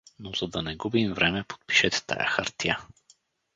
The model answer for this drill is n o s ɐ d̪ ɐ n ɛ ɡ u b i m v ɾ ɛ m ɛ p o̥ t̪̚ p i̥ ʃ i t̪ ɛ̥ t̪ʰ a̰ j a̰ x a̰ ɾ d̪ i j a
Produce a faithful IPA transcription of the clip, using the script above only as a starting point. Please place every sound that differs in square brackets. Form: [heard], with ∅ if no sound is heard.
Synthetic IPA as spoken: n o [z] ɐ d̪ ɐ n ɛ ɡ u b i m v ɾ ɛ m ɛ p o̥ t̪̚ p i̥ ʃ [ɛ] t̪ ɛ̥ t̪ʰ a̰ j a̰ x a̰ ɾ [t̪] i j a